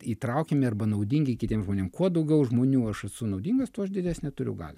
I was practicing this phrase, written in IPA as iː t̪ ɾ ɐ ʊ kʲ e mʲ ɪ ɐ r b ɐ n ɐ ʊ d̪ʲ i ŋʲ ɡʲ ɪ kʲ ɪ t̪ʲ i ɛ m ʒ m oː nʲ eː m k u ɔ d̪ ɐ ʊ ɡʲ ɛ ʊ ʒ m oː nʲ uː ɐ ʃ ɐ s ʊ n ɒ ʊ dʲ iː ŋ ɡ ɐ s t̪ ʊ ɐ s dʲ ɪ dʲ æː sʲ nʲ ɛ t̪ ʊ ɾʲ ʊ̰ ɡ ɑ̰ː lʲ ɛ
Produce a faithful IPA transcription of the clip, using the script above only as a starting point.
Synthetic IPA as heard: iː t̪ ɾ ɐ ʊ kʲ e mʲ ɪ ɐ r b ɐ n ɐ ʊ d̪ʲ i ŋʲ ɡʲ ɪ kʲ ɪ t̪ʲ i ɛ m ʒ m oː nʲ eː m k u ɔ d̪ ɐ ʊ ɡʲ ɛ ʊ ʒ m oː nʲ uː ɐ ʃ ɐ s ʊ n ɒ ʊ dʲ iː ŋ ɡ ɐ s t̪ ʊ ɐ ʃ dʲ ɪ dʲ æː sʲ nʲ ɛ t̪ ʊ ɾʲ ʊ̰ ɡ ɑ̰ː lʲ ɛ